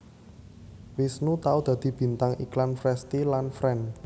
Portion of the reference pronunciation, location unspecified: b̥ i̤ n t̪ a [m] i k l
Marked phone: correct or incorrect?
incorrect